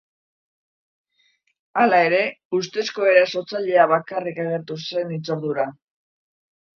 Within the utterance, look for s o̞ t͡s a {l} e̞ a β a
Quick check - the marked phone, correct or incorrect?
incorrect